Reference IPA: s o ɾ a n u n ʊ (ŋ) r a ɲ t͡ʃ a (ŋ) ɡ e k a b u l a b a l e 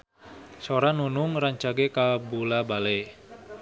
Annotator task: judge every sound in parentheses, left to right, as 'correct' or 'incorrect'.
correct, incorrect

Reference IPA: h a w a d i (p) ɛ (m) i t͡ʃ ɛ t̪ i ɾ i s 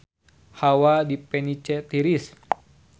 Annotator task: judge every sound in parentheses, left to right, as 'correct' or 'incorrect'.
correct, incorrect

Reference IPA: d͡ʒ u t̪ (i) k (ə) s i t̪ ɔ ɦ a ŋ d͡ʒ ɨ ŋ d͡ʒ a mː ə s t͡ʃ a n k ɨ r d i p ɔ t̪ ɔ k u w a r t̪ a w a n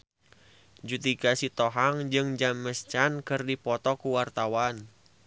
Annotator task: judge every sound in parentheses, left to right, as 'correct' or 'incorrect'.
correct, incorrect

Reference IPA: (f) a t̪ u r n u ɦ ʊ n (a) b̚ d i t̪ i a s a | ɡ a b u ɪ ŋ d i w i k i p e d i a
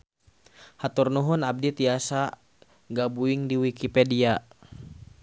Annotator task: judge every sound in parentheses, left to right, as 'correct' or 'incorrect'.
incorrect, correct

